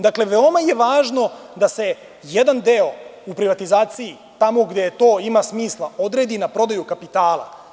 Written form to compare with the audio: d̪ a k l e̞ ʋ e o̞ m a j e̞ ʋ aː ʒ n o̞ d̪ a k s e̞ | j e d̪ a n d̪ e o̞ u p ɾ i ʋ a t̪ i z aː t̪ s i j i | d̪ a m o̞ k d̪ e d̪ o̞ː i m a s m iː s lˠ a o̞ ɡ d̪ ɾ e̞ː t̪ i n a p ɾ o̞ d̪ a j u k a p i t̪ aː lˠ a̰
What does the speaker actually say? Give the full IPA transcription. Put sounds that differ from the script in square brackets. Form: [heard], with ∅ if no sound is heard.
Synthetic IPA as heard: d̪ a k l e̞ ʋ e o̞ m a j e̞ ʋ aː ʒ n o̞ d̪ a [∅] s e̞ | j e d̪ a n d̪ e o̞ u p ɾ i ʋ a t̪ i z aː t̪ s i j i | [t̪] a m o̞ [ɡ] d̪ e [t̪] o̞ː i m a s m iː s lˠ a o̞ [∅] d̪ ɾ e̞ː [d̪] i n a p ɾ o̞ d̪ a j u k a p i t̪ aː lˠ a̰